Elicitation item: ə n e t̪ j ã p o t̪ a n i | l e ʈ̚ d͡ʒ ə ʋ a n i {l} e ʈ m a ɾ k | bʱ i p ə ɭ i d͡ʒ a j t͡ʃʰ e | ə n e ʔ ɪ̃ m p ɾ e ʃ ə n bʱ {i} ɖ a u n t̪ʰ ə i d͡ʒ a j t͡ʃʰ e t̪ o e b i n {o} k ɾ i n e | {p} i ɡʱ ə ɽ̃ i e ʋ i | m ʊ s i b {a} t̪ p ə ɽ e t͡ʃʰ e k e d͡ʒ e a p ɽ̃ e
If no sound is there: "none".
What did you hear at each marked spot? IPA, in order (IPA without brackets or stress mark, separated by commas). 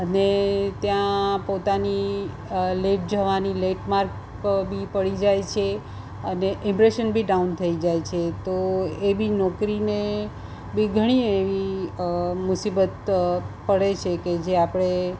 l, i, ɔ, b, ə